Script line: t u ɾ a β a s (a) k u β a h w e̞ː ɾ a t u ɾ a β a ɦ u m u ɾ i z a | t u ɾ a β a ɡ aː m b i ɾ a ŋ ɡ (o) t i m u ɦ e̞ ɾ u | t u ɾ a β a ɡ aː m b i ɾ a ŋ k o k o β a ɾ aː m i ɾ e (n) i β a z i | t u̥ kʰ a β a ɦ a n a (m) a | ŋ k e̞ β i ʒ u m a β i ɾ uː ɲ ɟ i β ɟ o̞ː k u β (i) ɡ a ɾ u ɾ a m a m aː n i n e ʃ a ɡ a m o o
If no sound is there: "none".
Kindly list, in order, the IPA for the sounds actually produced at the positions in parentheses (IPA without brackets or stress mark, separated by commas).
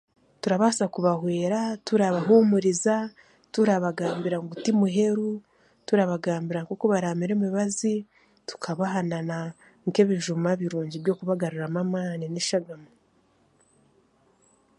a, u, m, n, a